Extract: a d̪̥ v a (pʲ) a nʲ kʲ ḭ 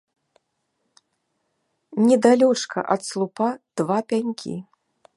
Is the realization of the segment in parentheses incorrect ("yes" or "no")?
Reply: no